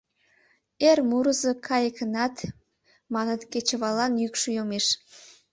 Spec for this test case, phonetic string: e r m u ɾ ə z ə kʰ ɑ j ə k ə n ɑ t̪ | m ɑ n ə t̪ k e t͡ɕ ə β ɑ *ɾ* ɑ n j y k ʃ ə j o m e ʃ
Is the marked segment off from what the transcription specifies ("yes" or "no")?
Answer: yes